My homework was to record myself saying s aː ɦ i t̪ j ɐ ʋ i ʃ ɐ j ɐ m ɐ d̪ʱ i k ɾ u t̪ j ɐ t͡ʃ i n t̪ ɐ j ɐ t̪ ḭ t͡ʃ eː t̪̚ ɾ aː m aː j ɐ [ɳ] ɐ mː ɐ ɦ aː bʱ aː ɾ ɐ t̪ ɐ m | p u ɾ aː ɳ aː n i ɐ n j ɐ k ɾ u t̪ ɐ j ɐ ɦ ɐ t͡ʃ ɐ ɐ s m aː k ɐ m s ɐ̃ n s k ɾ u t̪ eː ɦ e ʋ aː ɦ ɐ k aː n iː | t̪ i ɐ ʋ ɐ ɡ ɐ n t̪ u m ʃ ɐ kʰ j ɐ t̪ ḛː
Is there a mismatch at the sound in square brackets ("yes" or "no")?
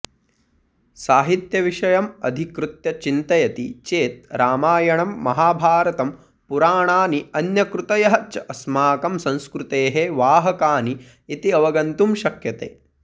no